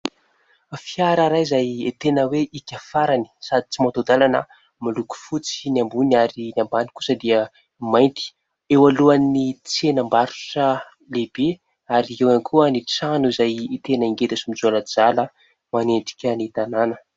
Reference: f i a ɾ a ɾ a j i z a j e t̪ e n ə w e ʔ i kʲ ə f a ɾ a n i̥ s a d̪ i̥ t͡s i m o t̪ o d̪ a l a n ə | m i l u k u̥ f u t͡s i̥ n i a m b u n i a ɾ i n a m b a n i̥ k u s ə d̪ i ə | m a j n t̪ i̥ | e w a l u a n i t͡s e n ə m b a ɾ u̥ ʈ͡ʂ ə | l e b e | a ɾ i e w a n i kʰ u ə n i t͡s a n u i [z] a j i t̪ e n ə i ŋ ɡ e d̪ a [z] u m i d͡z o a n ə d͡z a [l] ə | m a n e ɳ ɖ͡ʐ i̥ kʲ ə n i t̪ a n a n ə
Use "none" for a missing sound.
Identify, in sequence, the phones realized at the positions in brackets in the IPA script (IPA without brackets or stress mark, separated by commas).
z, s, l